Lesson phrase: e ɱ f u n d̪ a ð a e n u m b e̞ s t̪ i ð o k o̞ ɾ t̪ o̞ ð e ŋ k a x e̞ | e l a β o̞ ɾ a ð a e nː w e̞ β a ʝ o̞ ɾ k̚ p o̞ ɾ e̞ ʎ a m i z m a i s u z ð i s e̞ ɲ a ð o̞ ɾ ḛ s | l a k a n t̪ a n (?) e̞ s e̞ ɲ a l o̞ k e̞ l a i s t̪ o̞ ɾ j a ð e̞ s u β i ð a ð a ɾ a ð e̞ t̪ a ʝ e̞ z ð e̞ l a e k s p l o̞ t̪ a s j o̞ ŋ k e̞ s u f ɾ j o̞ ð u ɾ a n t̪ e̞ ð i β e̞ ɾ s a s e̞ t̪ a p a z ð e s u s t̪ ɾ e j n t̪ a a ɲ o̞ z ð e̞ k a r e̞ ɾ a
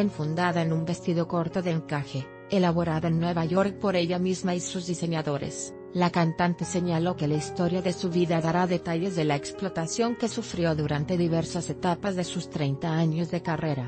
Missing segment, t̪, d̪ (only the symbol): t̪